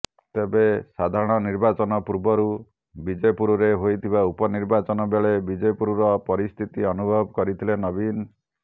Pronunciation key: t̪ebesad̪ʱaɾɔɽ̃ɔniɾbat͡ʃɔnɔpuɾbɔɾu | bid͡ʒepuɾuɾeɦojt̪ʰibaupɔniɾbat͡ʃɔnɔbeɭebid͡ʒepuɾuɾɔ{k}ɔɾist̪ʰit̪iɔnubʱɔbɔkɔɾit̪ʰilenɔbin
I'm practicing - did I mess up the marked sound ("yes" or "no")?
yes